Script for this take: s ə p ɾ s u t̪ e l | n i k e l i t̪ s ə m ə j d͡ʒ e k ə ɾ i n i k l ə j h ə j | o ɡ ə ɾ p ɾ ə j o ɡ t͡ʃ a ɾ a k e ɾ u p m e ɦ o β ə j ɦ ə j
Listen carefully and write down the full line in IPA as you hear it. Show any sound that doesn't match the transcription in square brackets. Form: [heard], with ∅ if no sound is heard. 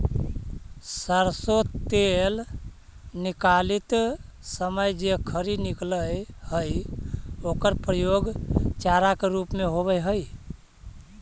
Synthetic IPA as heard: s ə [∅] ɾ s [o] t̪ e l | n i k [a] l i t̪ s ə m ə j d͡ʒ e [kʰ] ə ɾ i n i k l ə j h ə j | o [k] ə ɾ p ɾ ə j o ɡ t͡ʃ a ɾ a k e ɾ u p m e ɦ o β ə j ɦ ə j